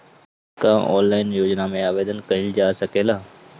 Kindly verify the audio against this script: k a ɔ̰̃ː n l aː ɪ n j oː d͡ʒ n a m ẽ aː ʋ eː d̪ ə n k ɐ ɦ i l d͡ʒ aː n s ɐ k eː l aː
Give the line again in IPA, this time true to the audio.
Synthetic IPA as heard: k a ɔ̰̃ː n l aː ɪ n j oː d͡ʒ n a m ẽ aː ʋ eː d̪ ə n k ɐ ɦ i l d͡ʒ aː s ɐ k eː l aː